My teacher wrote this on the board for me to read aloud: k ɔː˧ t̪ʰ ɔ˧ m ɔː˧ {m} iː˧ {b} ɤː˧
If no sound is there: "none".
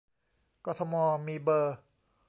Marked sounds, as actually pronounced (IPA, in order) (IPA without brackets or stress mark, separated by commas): m, b